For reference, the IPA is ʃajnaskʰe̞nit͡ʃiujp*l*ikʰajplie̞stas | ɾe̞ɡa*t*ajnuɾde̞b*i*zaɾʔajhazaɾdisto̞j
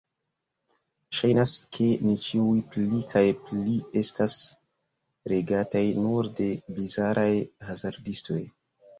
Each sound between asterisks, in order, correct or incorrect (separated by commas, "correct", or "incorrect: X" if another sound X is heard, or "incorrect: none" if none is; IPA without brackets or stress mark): correct, correct, correct